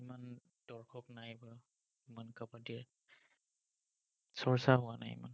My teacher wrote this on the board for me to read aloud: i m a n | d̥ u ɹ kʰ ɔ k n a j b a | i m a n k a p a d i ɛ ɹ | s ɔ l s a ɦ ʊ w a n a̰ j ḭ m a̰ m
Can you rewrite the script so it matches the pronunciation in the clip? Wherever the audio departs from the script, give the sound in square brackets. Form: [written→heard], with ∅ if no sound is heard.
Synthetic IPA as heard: i m a n | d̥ [u→ɔ] ɹ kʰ ɔ k n a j b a | i m a n k a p a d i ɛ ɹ | s ɔ [l→ɹ] s a ɦ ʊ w a n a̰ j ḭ m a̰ [m→n]